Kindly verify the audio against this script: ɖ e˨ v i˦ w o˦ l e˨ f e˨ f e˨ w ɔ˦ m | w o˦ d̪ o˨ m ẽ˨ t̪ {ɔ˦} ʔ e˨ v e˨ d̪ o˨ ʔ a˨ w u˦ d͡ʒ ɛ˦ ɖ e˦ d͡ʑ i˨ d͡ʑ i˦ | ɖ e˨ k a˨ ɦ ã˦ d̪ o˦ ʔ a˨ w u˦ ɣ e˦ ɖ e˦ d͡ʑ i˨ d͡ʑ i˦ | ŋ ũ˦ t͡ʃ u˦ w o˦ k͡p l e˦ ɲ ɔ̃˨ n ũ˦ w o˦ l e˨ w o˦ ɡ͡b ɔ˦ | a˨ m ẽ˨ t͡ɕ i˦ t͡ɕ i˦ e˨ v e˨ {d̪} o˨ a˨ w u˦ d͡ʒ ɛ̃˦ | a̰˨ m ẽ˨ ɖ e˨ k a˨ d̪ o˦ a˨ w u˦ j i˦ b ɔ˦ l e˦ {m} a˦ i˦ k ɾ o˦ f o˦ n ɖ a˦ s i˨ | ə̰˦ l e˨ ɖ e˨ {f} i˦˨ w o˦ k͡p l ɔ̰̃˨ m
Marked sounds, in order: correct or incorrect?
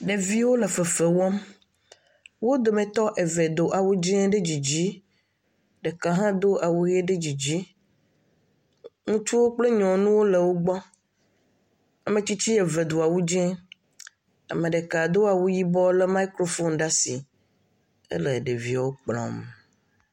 correct, correct, correct, incorrect: v

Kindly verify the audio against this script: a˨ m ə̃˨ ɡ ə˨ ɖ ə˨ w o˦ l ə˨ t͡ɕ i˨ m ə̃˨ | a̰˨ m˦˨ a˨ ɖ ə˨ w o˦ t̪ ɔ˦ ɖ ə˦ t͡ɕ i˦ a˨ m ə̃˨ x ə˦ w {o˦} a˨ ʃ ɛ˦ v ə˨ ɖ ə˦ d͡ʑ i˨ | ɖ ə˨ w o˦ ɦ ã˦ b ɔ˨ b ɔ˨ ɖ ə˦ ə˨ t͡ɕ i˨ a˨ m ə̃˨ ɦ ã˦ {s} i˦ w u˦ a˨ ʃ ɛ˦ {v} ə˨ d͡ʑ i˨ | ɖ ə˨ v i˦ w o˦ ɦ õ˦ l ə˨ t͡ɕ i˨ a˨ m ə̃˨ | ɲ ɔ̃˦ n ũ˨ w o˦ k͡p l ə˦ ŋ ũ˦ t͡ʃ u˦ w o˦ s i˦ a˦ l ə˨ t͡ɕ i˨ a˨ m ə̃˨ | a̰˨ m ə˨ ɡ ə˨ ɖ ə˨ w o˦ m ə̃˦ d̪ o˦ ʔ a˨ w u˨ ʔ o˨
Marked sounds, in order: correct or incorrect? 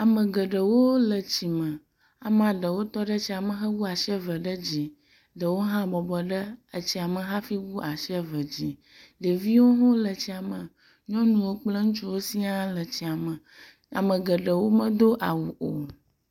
incorrect: u˦, incorrect: f, correct

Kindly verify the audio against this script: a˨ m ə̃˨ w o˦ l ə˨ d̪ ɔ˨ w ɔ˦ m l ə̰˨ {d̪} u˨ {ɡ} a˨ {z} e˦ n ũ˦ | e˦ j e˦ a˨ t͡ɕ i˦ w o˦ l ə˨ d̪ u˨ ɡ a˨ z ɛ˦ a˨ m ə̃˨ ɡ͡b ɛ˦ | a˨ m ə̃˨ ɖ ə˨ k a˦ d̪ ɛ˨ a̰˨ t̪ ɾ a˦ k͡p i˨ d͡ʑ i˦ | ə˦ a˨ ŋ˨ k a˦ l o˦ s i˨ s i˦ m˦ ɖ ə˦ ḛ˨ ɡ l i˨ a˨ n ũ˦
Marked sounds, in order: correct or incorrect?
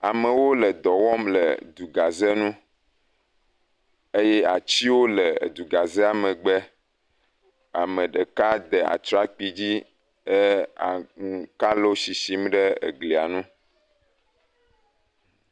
correct, correct, correct

